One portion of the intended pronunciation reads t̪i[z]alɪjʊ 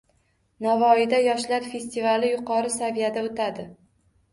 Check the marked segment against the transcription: incorrect: v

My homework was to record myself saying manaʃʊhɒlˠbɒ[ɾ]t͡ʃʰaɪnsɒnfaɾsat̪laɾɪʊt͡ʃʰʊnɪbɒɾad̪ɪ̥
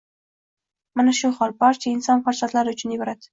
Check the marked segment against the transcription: correct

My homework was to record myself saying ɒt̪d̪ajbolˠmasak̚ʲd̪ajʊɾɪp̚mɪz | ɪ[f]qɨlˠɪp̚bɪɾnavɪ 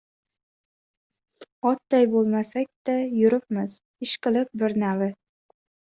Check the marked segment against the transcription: incorrect: ʃ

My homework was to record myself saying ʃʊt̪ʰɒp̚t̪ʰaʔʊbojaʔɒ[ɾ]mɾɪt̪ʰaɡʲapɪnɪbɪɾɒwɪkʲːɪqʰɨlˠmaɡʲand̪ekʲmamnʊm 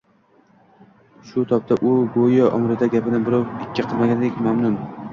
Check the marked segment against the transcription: incorrect: none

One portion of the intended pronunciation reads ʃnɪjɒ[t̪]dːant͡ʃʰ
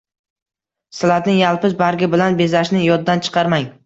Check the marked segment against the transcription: incorrect: d̪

